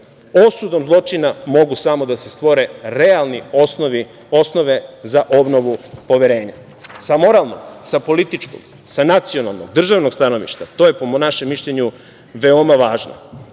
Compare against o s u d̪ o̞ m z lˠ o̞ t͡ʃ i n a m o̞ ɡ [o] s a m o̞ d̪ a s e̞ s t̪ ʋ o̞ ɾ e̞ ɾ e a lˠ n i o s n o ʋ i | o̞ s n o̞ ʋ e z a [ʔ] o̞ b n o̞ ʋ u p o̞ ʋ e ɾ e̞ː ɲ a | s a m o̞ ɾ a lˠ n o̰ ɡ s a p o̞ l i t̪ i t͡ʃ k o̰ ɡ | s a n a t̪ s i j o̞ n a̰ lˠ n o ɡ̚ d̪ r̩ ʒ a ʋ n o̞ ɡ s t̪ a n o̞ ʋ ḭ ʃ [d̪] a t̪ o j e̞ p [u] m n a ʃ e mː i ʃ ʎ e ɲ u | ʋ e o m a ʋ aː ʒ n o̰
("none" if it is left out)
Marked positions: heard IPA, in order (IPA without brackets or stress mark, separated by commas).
u, ʔ, t̪, o